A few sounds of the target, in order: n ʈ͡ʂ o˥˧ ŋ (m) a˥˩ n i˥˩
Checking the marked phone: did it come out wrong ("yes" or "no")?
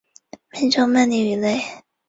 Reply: no